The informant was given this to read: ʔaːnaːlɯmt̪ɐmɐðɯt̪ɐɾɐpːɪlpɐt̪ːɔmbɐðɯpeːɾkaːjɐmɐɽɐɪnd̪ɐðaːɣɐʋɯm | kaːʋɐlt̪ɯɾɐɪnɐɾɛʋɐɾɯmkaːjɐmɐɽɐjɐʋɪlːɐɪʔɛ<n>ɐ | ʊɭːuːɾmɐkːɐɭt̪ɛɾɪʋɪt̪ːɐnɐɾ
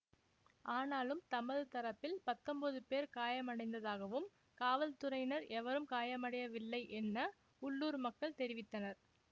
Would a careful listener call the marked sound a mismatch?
yes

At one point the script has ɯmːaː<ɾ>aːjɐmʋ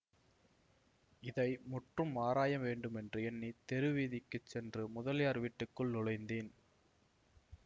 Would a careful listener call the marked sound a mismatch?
no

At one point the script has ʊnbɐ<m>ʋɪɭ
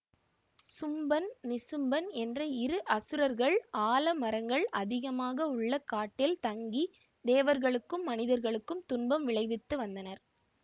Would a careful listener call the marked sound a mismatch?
no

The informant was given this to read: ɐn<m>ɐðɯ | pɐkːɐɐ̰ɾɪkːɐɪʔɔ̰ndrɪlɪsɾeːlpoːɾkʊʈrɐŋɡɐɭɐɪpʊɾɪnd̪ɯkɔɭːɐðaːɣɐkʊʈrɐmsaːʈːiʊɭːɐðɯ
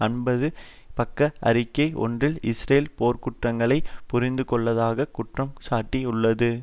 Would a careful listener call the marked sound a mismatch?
yes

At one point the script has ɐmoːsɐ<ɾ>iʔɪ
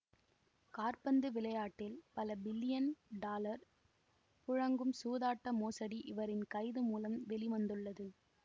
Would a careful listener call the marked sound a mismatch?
yes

